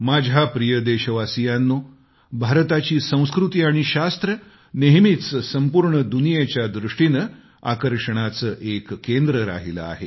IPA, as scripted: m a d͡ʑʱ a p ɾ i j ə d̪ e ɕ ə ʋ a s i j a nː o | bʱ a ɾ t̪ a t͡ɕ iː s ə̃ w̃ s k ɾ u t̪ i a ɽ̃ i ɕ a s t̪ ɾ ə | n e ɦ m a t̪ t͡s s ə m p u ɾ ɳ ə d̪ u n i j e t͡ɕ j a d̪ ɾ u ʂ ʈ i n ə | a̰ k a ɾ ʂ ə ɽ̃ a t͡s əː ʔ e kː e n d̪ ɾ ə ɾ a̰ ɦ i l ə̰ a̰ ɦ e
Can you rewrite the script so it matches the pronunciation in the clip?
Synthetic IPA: m a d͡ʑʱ a p ɾ i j ə d̪ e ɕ ə ʋ a s i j a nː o | bʱ a ɾ t̪ a t͡ɕ iː s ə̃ w̃ s k ɾ u t̪ i a ɽ̃ i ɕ a s t̪ ɾ ə | n e ɦ m i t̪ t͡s s ə m p u ɾ ɳ ə d̪ u n i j e t͡ɕ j a d̪ ɾ u ʂ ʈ i n ə | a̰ k ə ɾ ʂ ə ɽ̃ a t͡s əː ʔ e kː e n d̪ ɾ ə ɾ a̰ ɦ i l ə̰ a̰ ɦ e